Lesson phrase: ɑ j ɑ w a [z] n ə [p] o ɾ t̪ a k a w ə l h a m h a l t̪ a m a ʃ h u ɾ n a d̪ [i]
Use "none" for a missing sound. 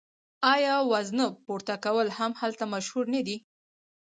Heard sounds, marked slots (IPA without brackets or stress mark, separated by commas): z, p, i